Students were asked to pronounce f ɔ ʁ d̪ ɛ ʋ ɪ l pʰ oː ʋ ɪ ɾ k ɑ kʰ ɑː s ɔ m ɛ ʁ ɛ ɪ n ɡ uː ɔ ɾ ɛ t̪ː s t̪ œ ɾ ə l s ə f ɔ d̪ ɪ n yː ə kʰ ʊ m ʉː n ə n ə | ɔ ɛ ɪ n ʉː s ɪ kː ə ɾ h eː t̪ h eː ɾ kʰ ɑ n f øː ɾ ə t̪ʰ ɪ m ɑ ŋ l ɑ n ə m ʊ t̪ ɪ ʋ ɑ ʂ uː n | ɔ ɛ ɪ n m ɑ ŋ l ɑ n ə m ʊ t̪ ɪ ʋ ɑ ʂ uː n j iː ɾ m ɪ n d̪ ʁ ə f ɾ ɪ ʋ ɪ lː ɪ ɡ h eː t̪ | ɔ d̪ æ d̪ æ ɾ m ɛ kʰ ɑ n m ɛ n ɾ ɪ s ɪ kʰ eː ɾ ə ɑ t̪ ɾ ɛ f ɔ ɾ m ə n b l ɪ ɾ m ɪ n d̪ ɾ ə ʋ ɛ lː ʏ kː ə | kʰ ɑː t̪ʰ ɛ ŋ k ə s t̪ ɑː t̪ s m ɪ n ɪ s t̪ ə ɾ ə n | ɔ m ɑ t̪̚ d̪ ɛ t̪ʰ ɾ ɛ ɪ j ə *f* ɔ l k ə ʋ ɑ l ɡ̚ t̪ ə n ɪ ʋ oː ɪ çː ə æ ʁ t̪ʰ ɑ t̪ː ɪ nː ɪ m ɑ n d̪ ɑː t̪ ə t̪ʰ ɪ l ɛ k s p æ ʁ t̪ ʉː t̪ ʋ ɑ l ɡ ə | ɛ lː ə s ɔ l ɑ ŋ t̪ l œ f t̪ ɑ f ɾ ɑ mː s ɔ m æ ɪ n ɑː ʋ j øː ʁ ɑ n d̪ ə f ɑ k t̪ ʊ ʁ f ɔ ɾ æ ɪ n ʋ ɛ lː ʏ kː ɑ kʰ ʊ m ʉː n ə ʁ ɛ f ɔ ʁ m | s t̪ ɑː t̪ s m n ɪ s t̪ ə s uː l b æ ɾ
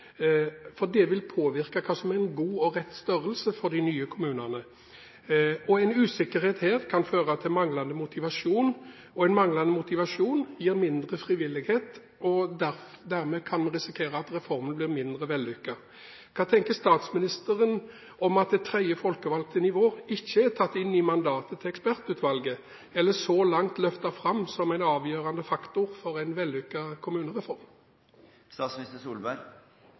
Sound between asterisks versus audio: correct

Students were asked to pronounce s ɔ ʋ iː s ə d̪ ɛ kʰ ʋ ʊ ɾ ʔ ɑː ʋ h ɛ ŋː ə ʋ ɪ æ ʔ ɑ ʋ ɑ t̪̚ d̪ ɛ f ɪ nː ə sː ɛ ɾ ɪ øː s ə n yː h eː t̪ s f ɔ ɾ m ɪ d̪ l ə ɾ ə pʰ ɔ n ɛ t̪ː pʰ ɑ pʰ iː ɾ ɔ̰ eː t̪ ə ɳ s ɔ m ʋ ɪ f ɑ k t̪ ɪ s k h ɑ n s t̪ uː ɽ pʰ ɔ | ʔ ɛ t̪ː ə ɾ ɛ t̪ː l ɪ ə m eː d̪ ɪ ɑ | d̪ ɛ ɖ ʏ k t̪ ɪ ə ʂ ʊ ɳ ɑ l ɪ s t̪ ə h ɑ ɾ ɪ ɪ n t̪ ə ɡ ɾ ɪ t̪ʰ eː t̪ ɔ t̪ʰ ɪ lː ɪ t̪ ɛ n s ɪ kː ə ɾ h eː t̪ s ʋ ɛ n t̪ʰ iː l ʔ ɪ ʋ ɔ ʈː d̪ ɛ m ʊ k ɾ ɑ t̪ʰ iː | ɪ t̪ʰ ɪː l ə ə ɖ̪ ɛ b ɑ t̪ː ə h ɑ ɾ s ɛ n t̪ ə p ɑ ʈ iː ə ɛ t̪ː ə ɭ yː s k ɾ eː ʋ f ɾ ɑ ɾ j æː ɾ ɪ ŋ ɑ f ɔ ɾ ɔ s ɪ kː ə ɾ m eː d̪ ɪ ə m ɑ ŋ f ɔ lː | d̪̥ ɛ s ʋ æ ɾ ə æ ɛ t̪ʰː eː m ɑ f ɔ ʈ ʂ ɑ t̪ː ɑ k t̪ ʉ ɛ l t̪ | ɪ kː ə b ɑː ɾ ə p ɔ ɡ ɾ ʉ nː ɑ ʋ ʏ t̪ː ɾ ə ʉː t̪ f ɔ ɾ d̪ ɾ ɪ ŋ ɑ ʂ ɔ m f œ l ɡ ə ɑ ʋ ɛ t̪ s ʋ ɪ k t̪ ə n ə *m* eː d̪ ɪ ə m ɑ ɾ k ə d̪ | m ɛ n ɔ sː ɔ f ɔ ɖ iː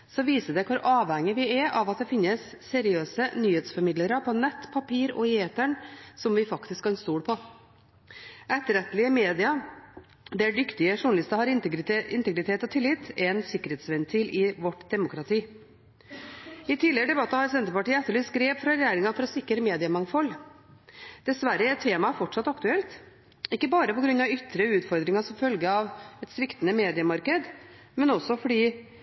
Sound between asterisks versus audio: correct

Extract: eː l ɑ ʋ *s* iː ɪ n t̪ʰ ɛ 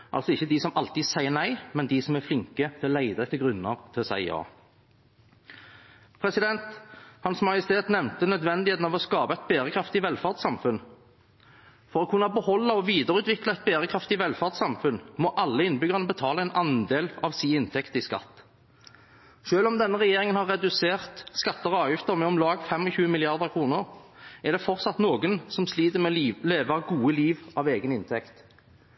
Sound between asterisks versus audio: correct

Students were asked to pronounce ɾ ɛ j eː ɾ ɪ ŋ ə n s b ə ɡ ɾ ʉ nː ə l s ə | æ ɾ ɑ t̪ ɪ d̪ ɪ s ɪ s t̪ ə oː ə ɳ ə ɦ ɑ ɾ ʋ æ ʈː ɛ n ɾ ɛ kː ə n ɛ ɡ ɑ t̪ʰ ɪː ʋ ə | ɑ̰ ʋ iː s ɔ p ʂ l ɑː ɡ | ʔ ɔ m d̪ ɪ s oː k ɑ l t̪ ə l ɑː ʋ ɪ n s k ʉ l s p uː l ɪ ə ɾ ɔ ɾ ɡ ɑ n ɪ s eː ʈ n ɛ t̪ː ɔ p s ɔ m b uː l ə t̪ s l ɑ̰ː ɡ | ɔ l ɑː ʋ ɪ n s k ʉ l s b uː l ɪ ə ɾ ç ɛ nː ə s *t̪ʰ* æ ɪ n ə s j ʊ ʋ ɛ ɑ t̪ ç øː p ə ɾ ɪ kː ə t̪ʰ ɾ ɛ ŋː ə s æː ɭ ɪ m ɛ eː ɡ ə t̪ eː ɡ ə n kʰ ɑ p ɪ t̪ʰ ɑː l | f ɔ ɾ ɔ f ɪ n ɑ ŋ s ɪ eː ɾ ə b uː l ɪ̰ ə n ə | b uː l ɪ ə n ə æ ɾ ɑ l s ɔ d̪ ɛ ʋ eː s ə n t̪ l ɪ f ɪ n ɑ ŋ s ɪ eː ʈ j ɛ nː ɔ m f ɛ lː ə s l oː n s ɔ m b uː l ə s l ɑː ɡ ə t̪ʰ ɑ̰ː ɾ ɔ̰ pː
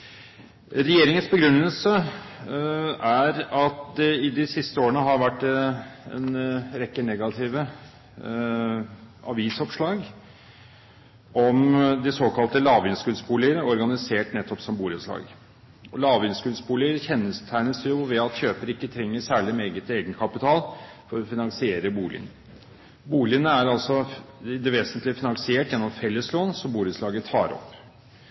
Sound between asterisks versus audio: correct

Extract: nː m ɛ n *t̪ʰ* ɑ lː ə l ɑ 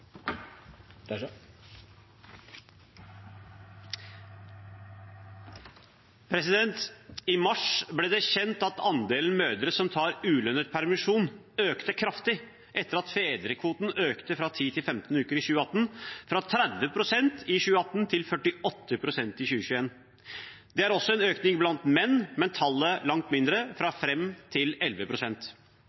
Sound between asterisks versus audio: correct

